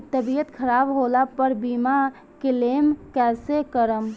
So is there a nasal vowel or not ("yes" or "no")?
no